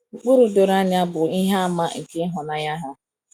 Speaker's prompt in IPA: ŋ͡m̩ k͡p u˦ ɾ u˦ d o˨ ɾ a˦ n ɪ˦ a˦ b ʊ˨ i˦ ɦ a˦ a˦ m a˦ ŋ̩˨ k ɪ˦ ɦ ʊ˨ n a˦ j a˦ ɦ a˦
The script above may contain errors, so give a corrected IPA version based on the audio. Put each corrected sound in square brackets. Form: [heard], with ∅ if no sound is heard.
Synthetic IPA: ŋ͡m̩ k͡p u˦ ɾ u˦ d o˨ ɾ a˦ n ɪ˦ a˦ b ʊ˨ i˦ ɦ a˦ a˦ m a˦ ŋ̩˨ k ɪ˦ ɦ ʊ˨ n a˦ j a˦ ɦ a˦